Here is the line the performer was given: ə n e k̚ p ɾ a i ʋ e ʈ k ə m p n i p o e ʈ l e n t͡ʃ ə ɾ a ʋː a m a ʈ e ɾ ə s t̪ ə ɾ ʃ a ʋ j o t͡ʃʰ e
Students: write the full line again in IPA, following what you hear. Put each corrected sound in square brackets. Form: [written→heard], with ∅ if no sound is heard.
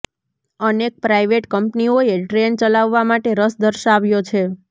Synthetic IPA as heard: ə n e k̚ p ɾ a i ʋ e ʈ k ə m p n i [p→∅] o e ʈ [l→ɾ] e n t͡ʃ ə [ɾ→l] a ʋː a m a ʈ e ɾ ə s [t̪→d̪] ə ɾ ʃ a ʋ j o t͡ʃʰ e